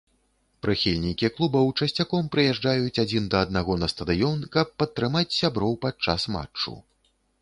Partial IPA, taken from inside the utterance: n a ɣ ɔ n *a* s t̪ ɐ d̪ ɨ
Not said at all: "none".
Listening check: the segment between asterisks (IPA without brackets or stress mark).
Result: ɐ